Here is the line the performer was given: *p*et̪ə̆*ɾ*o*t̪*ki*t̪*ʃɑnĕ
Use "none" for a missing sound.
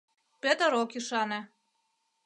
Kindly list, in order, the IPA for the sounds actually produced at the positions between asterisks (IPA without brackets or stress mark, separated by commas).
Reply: p, ɾ, none, none